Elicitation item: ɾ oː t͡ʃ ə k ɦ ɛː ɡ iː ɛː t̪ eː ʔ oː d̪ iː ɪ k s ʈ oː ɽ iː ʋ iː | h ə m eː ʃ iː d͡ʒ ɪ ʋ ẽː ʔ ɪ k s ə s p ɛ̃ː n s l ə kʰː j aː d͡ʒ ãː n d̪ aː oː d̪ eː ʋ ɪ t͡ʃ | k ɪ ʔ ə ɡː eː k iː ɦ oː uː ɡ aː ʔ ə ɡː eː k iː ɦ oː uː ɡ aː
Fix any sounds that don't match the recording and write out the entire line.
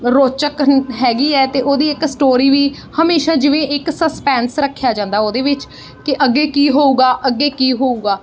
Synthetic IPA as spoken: ɾ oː t͡ʃ ə k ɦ ɛː ɡ iː ɛː t̪ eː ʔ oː d̪ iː ɪ k s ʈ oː ɾ iː ʋ iː | h ə m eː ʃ aː d͡ʒ ɪ ʋ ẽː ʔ ɪ k s ə s p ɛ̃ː n s ɾ ə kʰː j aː d͡ʒ ãː n d̪ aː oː d̪ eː ʋ ɪ t͡ʃ | k ɪ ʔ ə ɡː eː k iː ɦ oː uː ɡ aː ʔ ə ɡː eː k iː ɦ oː uː ɡ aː